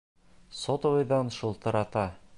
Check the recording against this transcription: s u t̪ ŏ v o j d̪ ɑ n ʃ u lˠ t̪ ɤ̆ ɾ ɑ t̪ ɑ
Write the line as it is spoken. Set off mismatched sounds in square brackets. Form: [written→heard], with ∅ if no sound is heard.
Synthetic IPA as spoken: s [u→o] t̪ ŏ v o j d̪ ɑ n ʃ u lˠ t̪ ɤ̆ ɾ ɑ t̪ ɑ